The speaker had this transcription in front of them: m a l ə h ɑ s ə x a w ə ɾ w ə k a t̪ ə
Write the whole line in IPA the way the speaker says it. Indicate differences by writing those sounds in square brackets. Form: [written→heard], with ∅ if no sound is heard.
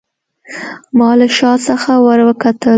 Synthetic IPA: m [a→ɑ] l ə [h→ʃ] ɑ s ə x a w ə ɾ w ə k a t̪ ə